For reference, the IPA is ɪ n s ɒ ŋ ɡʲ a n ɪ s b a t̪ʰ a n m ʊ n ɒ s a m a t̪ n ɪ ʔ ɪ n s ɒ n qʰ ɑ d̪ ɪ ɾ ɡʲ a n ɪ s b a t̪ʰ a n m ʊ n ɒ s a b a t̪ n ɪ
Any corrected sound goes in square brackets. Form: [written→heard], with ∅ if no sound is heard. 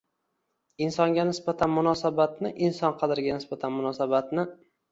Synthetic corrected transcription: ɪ n s ɒ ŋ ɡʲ a n ɪ s b a t̪ʰ a n m ʊ n ɒ s a [m→b] a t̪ n ɪ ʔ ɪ n s ɒ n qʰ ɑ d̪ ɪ ɾ ɡʲ a n ɪ s b a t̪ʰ a n m ʊ n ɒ s a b a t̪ n ɪ